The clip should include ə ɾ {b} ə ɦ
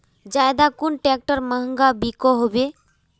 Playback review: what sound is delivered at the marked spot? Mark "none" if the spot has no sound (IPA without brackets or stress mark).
m